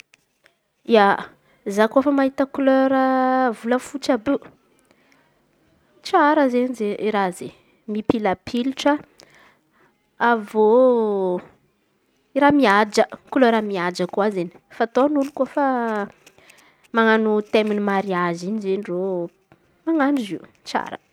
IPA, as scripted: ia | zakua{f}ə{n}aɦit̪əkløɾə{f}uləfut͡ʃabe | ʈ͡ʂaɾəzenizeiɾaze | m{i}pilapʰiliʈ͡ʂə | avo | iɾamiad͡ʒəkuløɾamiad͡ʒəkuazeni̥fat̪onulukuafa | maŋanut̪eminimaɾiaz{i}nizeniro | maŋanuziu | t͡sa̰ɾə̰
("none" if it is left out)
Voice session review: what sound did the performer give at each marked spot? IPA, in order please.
f, m, v, i, i

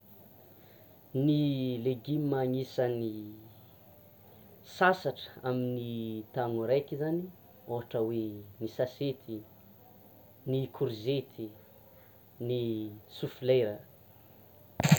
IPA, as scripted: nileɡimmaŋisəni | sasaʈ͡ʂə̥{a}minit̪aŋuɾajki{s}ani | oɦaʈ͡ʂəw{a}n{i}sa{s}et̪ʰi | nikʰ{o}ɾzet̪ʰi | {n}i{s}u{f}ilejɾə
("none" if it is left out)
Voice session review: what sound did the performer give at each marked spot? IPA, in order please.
a, z, e, i, s, u, n, s, f

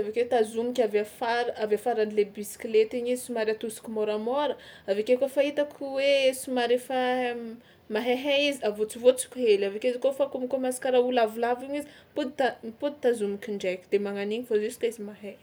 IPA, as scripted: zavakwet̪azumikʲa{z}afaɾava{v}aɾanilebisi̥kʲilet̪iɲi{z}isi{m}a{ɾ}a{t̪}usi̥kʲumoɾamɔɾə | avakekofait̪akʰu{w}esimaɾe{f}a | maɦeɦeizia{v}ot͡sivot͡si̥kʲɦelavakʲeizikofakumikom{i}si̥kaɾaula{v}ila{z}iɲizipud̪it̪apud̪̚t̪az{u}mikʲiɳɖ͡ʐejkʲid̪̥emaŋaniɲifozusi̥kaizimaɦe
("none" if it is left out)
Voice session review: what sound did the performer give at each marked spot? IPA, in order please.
v, f, z, m, ɾ, t̪, w, f, v, a, v, v, u

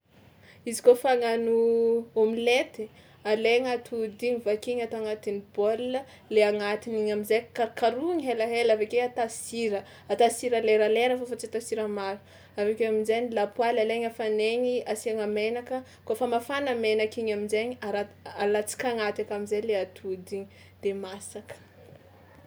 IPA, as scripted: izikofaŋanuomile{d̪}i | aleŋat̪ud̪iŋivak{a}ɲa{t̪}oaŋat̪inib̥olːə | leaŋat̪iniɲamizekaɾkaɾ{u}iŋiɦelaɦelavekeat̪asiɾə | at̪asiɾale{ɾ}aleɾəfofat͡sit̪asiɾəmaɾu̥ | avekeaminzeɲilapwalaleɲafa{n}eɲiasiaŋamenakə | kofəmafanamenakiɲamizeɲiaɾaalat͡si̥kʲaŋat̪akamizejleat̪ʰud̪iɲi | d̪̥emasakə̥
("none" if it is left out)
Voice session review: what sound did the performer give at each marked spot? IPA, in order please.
t̪, i, t̪, u, ɾ, n

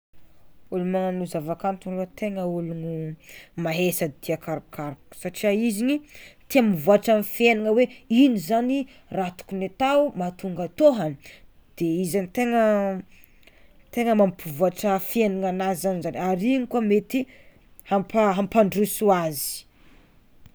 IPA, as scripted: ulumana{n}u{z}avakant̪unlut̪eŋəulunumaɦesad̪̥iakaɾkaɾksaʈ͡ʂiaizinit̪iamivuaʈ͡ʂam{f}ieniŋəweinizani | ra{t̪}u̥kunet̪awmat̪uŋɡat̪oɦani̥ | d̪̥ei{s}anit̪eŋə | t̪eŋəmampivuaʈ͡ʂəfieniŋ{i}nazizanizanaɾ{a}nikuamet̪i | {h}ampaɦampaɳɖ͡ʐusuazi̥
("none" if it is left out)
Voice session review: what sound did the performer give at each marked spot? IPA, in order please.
n, z, f, t̪, z, a, i, h

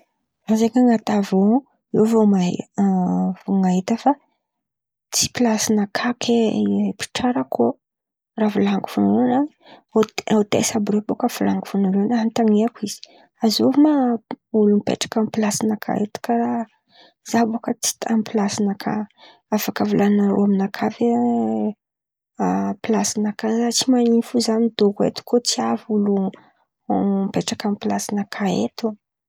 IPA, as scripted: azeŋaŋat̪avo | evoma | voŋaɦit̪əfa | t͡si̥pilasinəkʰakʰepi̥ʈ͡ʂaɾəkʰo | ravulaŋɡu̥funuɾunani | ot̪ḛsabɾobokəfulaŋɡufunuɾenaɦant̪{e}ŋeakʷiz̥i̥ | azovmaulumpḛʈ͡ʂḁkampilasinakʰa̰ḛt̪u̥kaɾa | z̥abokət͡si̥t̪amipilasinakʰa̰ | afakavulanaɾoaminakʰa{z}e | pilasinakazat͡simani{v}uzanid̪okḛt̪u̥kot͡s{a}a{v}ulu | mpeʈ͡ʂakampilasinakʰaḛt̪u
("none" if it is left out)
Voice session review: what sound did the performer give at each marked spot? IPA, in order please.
a, v, f, i, v

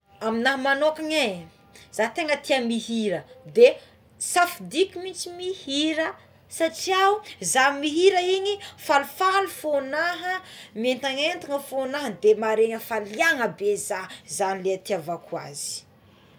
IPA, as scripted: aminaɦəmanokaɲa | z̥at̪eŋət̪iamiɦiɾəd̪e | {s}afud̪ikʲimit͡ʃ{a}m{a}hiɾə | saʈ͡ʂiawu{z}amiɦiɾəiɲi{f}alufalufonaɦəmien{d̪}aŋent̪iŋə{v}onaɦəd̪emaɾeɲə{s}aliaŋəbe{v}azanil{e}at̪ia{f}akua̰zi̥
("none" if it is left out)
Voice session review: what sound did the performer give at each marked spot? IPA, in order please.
s, i, i, z, f, t̪, f, f, z, e, v

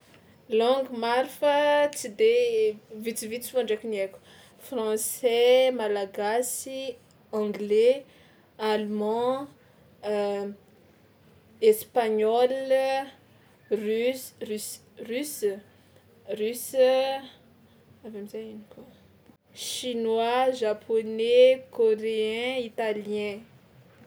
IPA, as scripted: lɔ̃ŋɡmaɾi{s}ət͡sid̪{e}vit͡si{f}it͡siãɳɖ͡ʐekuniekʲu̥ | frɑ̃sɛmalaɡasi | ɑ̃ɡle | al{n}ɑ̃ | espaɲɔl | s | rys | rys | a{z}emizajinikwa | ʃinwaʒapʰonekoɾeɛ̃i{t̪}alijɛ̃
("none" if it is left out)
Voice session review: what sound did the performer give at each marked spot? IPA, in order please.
f, e, v, m, v, t̪

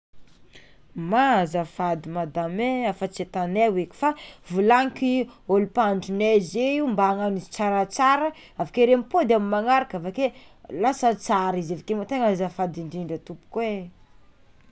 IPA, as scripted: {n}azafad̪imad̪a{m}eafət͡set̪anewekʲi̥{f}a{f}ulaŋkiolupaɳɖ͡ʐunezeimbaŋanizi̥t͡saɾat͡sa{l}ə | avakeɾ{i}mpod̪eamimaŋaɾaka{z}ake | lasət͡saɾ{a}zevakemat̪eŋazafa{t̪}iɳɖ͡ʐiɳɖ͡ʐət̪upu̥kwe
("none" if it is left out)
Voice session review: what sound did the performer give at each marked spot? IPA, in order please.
m, m, f, v, ɾ, e, v, i, d̪

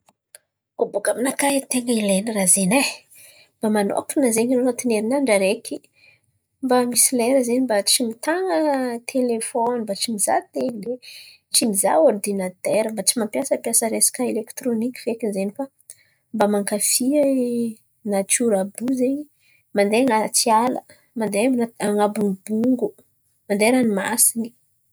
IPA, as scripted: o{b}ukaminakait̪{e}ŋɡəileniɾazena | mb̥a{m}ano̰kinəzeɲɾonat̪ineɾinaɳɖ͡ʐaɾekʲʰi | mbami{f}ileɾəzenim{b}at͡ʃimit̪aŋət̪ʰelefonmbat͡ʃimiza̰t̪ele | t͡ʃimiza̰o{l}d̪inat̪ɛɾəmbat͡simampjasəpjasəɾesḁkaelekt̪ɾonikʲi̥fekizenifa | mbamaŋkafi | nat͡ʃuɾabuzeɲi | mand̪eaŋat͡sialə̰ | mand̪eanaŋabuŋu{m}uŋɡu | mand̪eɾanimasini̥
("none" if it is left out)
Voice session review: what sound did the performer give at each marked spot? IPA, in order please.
b, e, m, s, b, r, b

